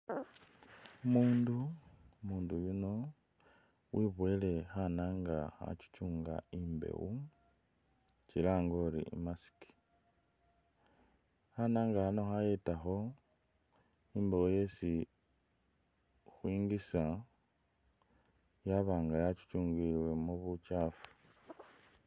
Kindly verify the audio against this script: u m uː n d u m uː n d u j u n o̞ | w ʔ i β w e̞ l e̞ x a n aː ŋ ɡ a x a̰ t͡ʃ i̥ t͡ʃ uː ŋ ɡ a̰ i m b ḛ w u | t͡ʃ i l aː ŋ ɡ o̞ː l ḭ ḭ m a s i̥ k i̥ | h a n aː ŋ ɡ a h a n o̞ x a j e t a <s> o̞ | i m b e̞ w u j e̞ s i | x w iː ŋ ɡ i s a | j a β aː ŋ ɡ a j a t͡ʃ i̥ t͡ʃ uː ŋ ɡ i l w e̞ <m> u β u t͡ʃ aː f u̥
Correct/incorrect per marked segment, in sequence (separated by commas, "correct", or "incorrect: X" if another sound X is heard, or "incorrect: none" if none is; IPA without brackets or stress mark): incorrect: x, correct